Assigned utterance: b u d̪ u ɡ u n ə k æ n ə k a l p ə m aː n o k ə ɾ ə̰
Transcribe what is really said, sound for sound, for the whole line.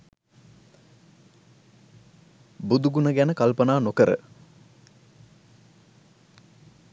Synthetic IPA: b u d̪ u ɡ u n ə ɡ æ n ə k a l p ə n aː n o k ə ɾ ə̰